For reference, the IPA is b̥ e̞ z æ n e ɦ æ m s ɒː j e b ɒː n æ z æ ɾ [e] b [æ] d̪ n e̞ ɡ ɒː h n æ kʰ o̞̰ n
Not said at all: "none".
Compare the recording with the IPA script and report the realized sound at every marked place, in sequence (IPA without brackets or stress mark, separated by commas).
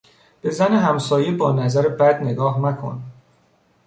e, æ